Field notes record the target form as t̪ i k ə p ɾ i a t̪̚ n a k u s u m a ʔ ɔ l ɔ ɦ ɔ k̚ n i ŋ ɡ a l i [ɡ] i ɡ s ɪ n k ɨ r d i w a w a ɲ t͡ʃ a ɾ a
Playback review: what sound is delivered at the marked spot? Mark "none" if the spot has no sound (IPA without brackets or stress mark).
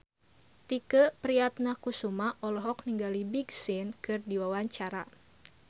b